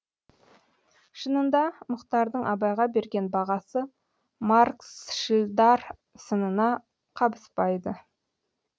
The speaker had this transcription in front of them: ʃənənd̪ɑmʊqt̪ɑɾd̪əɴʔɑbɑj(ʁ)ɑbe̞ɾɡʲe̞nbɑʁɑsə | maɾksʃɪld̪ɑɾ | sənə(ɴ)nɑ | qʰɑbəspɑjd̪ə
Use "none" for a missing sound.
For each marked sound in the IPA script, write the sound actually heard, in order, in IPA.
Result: ʁ, none

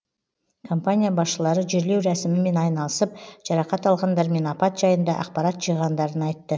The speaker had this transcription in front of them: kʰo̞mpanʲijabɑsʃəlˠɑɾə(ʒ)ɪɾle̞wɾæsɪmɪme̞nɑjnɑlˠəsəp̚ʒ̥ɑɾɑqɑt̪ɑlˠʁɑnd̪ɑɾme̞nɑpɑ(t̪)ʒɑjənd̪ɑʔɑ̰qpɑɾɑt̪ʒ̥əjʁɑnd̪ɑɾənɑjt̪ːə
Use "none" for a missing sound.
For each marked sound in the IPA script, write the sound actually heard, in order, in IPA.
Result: ʒ, t̪

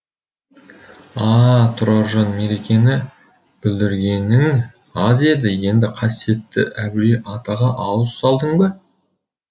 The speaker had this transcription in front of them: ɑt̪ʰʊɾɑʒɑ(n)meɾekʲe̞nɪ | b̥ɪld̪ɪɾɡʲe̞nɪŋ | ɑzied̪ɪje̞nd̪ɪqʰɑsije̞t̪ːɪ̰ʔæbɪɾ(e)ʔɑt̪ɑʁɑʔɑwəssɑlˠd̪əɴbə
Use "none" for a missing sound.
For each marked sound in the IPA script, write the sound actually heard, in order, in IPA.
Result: n, e

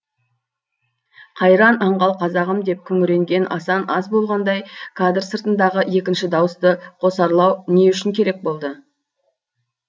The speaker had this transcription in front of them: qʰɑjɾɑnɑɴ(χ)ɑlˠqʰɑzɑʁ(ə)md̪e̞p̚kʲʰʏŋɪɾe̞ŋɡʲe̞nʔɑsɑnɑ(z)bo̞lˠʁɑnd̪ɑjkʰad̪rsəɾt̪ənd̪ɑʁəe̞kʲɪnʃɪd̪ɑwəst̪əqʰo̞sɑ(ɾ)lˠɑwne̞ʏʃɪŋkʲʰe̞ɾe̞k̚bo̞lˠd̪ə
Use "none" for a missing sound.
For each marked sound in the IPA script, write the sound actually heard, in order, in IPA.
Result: ʁ, ə, z, ɾ

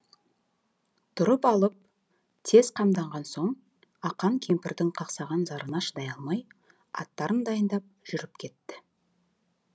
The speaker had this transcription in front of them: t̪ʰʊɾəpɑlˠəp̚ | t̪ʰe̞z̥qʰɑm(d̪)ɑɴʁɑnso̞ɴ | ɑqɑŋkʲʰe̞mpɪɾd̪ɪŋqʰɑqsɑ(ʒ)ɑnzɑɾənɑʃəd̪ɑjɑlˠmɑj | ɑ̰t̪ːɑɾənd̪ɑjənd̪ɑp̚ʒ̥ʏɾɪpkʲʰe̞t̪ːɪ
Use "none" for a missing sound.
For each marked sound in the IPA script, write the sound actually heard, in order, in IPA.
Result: d̪, ʁ

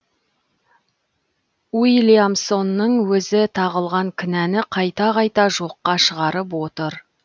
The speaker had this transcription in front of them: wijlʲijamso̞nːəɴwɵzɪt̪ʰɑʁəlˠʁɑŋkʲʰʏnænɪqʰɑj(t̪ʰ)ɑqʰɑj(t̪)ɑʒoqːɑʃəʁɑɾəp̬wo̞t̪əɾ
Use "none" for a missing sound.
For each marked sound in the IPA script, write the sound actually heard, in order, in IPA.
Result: t̪, t̪

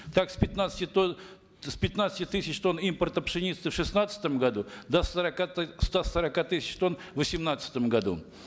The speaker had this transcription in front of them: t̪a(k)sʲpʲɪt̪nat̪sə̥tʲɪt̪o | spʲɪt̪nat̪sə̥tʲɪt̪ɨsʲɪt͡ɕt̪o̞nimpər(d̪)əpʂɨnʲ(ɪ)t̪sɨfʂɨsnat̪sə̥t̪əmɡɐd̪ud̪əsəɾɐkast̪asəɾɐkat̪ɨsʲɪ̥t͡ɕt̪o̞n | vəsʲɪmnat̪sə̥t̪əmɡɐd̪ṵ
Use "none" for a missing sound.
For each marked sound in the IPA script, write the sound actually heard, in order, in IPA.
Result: k, t̪, i

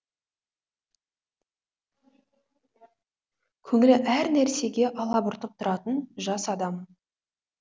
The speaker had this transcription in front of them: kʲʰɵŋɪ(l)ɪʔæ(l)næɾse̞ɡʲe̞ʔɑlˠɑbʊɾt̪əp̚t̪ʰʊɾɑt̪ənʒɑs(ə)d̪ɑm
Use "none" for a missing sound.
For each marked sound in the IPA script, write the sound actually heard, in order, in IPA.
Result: l, ɾ, ɑ

